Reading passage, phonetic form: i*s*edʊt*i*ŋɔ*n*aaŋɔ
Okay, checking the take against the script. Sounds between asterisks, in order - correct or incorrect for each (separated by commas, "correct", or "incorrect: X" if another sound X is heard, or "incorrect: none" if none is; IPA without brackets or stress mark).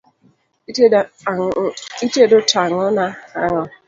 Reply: incorrect: t, incorrect: a, correct